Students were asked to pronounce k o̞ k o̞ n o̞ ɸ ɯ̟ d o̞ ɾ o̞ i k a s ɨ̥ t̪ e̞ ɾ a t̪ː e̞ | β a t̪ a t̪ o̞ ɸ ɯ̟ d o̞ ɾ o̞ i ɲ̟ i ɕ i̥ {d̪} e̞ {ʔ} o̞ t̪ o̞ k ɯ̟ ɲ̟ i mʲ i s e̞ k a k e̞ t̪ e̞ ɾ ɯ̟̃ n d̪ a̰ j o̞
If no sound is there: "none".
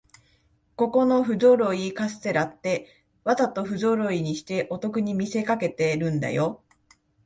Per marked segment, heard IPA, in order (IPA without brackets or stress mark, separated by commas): t̪, ʔ